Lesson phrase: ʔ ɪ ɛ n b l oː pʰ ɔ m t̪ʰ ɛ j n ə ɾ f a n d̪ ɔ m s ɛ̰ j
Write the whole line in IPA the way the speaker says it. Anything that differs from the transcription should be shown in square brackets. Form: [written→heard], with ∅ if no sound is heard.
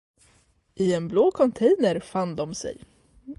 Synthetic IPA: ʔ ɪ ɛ n b l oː [pʰ→kʰ] ɔ [m→n] t̪ʰ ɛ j n ə ɾ f a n d̪ ɔ m s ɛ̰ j